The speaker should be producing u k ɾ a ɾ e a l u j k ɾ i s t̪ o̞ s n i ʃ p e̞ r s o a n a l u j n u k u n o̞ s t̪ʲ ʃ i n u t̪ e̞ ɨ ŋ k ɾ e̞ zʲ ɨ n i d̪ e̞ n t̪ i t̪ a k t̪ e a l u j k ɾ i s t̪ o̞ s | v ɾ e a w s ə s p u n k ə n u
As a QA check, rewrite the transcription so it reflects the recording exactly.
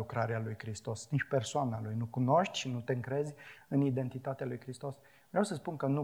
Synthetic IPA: u k ɾ a ɾ e a l u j k ɾ i s t̪ o̞ s n i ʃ p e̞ r s o a n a l u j n u k u n o̞ ʃ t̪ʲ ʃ i n u t̪ e̞ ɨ ŋ k ɾ e̞ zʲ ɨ n i d̪ e̞ n t̪ i t̪ a t̪ e a l u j k ɾ i s t̪ o̞ s | v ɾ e a w s ə s p u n k ə n u